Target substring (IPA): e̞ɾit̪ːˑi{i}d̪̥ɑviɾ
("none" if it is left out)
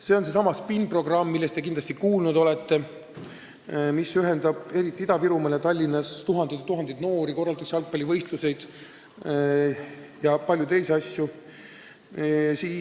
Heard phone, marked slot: i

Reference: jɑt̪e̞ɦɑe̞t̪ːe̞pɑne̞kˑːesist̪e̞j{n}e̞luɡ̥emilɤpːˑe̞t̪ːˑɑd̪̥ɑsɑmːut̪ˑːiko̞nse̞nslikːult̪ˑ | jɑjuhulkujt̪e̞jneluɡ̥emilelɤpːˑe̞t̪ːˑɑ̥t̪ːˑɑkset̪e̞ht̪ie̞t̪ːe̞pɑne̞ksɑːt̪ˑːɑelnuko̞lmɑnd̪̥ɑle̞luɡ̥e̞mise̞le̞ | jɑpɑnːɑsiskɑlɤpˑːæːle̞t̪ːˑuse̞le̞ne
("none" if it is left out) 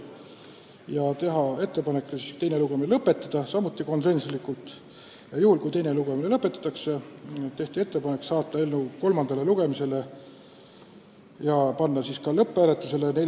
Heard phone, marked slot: n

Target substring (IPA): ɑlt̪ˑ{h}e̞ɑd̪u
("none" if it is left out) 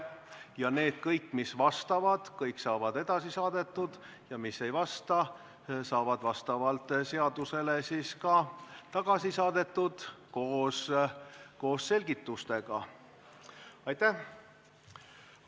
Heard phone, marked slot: s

